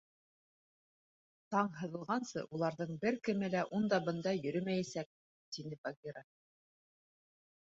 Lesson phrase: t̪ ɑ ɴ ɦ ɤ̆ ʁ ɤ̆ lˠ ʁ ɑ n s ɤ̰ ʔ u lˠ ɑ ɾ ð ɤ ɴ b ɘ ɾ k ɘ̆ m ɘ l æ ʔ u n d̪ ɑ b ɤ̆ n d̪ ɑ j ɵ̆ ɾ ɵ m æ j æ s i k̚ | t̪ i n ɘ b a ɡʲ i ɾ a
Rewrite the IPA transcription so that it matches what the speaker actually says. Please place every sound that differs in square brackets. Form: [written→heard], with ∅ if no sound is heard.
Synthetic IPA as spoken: t̪ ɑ ɴ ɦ ɤ̆ [ʁ→ð] ɤ̆ lˠ ʁ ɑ n s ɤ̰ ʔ u lˠ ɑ ɾ ð ɤ ɴ b ɘ ɾ k ɘ̆ m ɘ l æ ʔ u n d̪ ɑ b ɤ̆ n d̪ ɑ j ɵ̆ ɾ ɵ m æ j æ s [i→æ] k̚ | t̪ i n ɘ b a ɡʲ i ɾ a

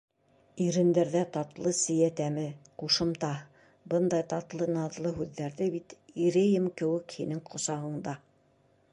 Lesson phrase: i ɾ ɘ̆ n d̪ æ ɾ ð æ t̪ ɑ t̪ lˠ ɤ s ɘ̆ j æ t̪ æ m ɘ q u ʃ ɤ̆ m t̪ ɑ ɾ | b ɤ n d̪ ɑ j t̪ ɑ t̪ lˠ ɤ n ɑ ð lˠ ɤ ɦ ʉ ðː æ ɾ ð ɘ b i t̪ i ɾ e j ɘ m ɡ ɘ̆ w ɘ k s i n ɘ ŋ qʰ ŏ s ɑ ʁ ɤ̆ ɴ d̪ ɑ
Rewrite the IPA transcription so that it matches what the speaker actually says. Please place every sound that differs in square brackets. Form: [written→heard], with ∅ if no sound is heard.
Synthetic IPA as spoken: i ɾ ɘ̆ n d̪ æ ɾ ð æ t̪ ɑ t̪ lˠ ɤ s ɘ̆ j æ t̪ æ m ɘ q u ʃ ɤ̆ m t̪ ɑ [ɾ→∅] | b ɤ n d̪ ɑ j t̪ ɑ t̪ lˠ ɤ n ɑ ð lˠ ɤ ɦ ʉ ðː æ ɾ ð ɘ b i t̪ i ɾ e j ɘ m [ɡ→k] ɘ̆ w ɘ k [s→h] i n ɘ ŋ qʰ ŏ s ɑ ʁ ɤ̆ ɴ d̪ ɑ

